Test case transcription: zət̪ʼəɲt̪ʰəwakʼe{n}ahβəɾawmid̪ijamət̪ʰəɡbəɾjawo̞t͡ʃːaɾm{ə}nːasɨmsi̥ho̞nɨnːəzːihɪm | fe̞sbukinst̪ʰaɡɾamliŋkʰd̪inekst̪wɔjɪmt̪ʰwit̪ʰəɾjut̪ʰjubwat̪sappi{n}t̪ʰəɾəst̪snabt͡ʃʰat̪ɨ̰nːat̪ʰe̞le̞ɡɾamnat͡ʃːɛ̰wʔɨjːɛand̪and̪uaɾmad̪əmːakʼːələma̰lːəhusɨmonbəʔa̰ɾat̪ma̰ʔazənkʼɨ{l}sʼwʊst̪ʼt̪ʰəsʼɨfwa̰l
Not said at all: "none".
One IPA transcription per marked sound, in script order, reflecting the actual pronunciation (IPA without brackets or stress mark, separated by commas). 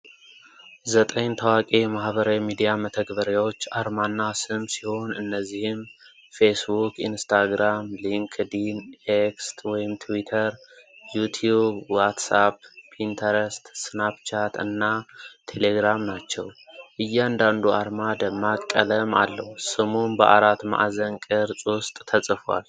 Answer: m, a, n, ɾ